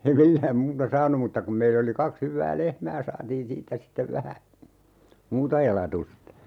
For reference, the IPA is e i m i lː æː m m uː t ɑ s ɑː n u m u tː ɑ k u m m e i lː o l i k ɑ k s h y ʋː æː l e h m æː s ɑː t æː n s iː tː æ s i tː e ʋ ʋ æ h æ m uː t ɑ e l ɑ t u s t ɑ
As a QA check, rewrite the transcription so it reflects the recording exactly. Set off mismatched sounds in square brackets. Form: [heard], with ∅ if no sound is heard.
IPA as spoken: e i m i lː æː m m uː t ɑ s ɑː n u m u tː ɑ k u m m e i lː o l i k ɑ k s h y ʋː æː l e h m æː s ɑː t [iː] n s iː tː æ s i tː e ʋ ʋ æ h æ m uː t ɑ e l ɑ t u s t ɑ